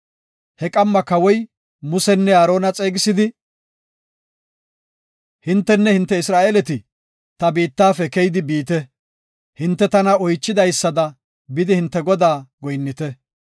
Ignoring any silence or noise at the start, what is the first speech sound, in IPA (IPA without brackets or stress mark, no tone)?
h